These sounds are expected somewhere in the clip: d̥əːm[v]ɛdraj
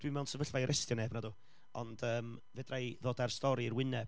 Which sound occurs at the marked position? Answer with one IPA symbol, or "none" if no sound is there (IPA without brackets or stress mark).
v